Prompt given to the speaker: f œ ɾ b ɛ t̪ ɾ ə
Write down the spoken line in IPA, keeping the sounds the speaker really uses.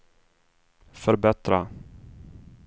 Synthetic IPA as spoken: f œ ɾ b ɛ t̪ ɾ a